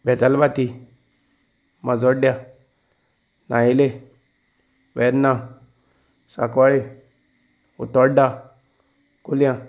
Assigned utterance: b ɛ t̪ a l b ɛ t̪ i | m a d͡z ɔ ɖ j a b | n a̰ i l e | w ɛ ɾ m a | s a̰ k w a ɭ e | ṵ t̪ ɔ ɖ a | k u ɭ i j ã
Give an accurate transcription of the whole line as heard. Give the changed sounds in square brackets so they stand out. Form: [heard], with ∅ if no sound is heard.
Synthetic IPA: b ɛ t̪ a l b [a] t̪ i | m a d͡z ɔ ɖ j a [∅] | n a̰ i l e | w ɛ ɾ [n] a | s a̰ k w a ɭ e | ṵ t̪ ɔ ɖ a | k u [l] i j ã